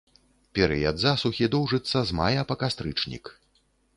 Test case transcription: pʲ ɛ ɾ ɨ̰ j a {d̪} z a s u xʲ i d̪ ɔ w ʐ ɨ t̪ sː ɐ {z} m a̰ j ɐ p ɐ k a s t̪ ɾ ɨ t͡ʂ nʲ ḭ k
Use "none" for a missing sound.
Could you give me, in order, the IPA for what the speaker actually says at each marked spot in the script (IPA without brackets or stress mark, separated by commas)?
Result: d̪, z